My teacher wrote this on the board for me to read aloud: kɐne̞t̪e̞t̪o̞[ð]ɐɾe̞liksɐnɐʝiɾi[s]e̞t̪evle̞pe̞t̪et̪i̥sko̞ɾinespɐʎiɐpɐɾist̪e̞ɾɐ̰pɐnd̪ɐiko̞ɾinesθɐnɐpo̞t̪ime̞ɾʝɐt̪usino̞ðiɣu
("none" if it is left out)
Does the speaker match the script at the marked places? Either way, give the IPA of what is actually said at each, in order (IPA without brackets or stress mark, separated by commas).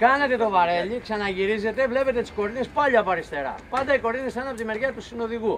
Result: v, z